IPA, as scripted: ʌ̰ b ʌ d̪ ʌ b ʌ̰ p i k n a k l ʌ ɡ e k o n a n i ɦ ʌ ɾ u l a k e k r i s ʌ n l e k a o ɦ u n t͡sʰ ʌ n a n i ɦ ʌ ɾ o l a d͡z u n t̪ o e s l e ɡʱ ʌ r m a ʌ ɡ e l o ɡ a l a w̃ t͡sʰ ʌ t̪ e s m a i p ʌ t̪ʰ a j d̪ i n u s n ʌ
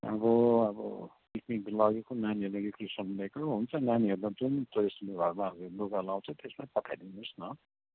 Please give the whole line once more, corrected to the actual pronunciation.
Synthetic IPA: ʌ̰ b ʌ ʌ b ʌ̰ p i k n i k l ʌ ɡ e k o n a n i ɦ ʌ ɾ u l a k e k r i s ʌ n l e k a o ɦ u n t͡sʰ ʌ n a n i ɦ ʌ ɾ u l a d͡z u n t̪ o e s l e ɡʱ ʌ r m a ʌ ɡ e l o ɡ a l a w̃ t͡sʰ ʌ t̪ e s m a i p ʌ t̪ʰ a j d̪ i n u s n ʌ